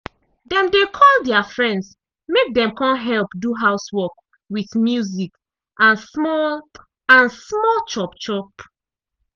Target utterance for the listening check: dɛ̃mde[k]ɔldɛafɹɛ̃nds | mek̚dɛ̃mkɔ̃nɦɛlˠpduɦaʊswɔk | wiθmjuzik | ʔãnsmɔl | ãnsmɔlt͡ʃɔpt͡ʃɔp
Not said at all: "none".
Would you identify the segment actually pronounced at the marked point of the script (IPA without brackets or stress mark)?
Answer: kʰ